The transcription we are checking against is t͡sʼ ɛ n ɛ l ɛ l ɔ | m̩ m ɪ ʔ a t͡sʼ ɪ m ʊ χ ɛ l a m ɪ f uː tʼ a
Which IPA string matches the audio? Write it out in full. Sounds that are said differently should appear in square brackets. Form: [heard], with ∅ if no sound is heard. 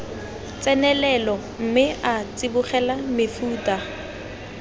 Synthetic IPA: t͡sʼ ɛ n ɛ l ɛ l ɔ | m̩ m ɪ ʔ a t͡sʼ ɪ [b] ʊ χ ɛ l a m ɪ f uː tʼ a